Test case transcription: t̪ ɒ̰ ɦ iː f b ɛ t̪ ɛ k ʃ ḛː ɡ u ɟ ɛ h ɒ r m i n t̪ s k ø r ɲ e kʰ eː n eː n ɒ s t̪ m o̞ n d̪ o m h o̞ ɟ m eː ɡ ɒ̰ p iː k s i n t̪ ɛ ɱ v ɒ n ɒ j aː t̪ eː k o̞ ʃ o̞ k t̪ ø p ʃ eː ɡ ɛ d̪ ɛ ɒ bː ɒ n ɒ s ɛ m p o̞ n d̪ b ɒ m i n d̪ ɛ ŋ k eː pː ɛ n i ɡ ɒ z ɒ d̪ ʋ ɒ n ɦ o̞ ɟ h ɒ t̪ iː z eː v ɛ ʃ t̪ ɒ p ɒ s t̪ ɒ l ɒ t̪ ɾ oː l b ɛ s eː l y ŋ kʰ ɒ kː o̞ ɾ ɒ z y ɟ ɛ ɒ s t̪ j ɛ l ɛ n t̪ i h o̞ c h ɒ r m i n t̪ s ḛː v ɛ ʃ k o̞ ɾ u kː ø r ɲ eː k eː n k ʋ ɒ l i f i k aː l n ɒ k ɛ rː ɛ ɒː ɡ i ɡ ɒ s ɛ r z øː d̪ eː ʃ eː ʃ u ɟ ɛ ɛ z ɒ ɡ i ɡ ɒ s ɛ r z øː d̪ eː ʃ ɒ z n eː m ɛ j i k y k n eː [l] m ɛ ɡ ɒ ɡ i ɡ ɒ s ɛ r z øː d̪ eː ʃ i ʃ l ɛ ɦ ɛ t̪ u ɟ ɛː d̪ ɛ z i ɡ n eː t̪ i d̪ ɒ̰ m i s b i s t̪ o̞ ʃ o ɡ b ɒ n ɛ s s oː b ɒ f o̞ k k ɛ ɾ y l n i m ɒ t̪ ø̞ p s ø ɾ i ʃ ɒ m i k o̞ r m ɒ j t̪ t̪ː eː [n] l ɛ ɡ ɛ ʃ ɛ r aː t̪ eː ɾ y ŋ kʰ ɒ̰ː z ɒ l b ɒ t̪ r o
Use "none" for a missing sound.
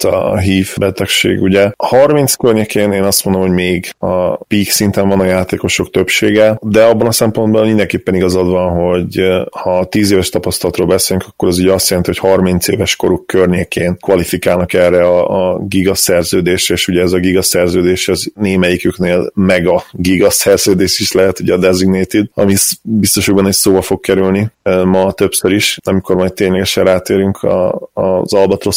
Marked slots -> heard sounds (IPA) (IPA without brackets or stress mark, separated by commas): l, ɲ